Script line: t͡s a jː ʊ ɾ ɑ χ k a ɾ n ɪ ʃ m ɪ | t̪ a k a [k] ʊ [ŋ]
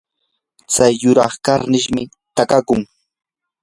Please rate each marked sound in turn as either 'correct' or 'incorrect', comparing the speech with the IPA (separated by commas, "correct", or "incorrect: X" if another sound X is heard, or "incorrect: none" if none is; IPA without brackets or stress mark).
correct, correct